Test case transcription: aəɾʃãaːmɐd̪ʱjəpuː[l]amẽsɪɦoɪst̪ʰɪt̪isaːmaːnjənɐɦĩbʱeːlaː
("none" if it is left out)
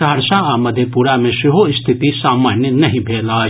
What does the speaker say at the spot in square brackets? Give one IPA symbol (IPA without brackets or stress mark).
ɾ